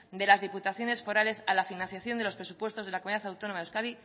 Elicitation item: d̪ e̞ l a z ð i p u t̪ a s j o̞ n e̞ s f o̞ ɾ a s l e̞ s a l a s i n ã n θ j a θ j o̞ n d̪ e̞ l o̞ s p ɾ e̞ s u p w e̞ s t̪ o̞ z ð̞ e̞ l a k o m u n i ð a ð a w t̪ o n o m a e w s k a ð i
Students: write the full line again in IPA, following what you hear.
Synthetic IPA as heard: d̪ e̞ l a z ð i p u t̪ a θ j o̞ n e̞ s f o̞ ɾ a l e̞ s a l a f i n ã n θ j a θ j o̞ n d̪ e̞ l o̞ s p ɾ e̞ s u p w e̞ s t̪ o̞ z ð̞ e̞ l a k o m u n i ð a θ a w t̪ o n o m a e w s k a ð i